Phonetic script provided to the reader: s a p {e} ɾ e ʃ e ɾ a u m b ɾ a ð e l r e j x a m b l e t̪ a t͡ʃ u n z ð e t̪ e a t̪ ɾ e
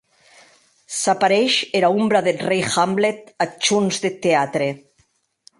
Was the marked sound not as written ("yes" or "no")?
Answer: yes